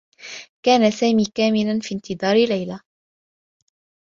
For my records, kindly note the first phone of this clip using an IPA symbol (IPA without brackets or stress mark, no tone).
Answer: k